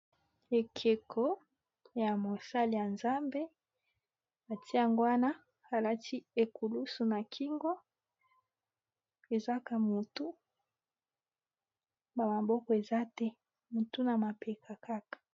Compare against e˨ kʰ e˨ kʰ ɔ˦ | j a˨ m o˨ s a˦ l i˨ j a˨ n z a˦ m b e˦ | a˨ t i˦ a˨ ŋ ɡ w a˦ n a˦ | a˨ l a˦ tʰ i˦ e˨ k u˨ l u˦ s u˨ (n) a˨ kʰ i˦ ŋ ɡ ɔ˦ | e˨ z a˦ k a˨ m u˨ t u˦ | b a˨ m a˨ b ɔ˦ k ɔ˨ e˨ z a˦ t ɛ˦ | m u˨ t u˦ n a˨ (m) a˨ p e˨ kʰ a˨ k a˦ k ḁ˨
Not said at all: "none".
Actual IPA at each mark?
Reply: n, m

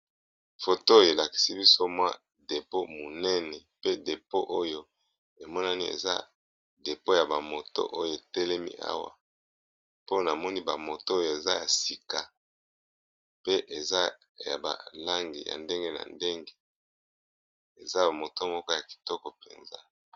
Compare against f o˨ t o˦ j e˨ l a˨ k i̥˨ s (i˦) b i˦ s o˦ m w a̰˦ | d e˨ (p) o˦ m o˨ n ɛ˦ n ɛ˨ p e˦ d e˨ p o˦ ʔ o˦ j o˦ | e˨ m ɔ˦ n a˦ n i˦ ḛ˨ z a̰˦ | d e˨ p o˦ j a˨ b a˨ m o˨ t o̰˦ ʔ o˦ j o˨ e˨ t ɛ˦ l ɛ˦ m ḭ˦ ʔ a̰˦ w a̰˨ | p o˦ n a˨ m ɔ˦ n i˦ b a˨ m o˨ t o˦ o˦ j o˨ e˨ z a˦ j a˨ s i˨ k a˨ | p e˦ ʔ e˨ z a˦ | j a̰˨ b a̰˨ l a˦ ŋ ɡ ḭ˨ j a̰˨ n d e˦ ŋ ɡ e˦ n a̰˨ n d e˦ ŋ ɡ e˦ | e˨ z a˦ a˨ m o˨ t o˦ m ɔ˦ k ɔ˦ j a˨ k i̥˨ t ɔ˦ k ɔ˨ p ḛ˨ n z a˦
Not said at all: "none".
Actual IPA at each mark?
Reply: i˦, p

